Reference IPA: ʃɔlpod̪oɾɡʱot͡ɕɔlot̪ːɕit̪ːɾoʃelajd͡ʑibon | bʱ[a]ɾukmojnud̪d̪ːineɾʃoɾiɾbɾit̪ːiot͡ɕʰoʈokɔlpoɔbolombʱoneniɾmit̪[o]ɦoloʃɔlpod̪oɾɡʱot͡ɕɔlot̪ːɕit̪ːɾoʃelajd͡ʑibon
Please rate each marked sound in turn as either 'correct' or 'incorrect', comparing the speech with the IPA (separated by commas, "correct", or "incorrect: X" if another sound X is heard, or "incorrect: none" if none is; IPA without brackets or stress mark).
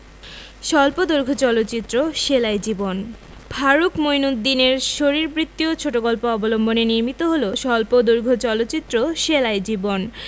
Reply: correct, correct